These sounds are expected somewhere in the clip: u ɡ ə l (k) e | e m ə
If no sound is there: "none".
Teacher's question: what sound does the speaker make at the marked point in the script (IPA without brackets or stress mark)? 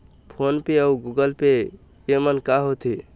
p